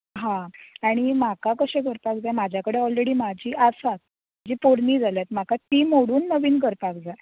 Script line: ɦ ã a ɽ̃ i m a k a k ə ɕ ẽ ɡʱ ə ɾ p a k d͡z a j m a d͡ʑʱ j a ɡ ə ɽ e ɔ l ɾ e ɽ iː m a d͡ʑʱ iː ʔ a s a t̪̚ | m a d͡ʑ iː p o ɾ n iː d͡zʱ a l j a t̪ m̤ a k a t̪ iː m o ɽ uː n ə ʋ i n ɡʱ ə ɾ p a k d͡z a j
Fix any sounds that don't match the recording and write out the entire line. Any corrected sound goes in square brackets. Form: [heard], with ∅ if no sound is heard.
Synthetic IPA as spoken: ɦ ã a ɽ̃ i m a k a k ə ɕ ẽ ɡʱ ə ɾ p a k d͡z a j m a d͡ʑʱ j a [k] ə ɽ e ɔ l ɾ e ɽ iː m a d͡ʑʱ iː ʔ a s a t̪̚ | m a d͡ʑ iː p o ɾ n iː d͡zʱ a l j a t̪ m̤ a k a t̪ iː m o ɽ uː [nː] ə ʋ [iː] n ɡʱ ə ɾ p a k d͡z a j